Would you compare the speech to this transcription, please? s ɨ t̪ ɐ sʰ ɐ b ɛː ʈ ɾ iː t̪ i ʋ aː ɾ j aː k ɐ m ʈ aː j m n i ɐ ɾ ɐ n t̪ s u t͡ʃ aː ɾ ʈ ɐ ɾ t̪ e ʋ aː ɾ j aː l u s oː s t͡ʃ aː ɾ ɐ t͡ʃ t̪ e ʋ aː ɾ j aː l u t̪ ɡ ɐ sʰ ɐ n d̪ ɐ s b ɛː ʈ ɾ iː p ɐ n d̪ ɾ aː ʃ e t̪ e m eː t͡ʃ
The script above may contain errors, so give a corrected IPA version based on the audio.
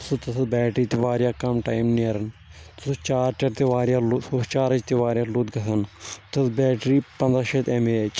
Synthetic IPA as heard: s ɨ t̪ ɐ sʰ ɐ b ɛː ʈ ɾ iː t̪ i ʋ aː ɾ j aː k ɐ m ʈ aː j m n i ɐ ɾ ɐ n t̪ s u t͡ʃ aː ɾ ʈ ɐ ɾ t̪ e ʋ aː ɾ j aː l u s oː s t͡ʃ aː ɾ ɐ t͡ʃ t̪ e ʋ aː ɾ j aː l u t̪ ɡ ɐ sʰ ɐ n t̪ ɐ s b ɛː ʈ ɾ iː p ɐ n d̪ ɾ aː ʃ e t̪ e m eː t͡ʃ